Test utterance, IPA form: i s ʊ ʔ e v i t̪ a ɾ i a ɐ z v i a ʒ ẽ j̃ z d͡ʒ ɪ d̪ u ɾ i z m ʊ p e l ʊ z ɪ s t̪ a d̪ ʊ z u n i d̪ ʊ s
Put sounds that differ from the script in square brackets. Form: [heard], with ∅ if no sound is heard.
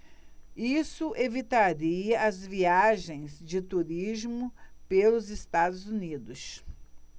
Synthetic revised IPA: i s ʊ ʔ e v i t̪ a ɾ i [ɐ] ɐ z v i a ʒ ẽ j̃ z d͡ʒ ɪ [t̪] u ɾ i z m ʊ p e l ʊ z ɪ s t̪ a d̪ ʊ z u n i d̪ ʊ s